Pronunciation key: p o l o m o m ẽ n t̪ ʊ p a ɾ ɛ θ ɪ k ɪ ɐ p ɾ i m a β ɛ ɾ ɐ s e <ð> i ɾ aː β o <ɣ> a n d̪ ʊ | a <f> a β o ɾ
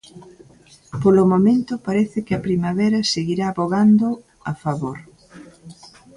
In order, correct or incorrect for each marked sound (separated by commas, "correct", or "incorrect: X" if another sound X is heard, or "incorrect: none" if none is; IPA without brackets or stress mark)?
incorrect: ɣ, correct, correct